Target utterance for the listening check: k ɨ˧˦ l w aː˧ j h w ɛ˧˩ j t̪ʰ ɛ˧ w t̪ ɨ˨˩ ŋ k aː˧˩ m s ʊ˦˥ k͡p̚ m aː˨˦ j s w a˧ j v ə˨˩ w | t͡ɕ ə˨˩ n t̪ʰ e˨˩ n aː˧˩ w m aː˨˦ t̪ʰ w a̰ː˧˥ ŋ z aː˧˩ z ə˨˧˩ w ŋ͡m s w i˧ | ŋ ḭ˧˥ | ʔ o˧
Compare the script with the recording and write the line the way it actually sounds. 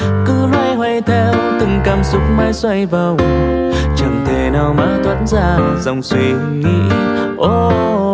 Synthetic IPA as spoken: k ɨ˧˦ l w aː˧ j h w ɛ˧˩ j t̪ʰ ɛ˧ w t̪ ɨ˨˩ ŋ k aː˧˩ m s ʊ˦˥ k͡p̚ m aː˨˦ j s w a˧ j v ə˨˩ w | t͡ɕ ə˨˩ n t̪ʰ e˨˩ n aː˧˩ w m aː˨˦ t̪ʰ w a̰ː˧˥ n z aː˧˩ z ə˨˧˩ w ŋ͡m s w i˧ | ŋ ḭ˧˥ | ʔ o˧

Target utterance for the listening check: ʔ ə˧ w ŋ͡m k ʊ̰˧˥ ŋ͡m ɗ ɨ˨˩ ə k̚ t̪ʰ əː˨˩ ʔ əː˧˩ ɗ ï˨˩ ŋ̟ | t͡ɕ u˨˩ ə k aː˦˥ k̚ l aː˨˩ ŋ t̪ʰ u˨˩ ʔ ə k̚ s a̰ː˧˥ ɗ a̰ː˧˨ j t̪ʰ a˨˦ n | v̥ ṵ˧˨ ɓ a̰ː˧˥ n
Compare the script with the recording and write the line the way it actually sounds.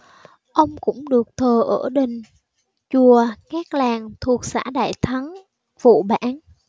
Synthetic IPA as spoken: ʔ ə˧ w ŋ͡m k ʊ̰˧˥ ŋ͡m ɗ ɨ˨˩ ə k̚ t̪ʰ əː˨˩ ʔ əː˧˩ ɗ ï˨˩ ŋ̟ | t͡ɕ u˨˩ ə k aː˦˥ k̚ l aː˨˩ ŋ t̪ʰ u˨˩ ə k̚ s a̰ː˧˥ ɗ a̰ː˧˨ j t̪ʰ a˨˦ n | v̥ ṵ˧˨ ɓ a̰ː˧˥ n

